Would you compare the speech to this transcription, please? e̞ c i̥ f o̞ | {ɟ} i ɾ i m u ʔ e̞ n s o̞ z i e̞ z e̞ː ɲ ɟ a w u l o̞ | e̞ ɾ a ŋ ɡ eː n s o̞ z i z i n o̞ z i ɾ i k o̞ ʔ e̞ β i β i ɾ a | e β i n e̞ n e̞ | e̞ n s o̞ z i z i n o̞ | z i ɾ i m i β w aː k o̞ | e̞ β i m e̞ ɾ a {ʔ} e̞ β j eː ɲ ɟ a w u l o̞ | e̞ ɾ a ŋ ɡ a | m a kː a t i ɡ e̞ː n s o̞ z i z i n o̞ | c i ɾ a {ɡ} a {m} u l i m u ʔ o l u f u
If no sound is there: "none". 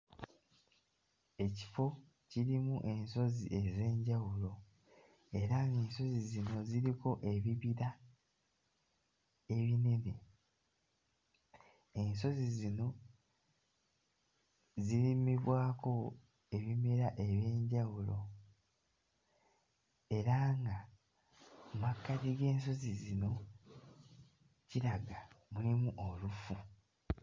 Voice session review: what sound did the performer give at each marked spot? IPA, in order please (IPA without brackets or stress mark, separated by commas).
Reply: c, ʔ, ɡ, m